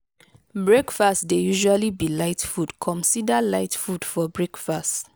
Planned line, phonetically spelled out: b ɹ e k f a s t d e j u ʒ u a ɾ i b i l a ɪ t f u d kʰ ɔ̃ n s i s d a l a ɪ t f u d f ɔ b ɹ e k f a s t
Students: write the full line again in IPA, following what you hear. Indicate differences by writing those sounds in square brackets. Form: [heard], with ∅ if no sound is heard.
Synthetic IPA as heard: b ɹ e k f a s t d e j u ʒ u a [l] i b i l a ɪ t f u d kʰ ɔ̃ n s i [∅] d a l a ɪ t f u d f ɔ b ɹ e k f a s t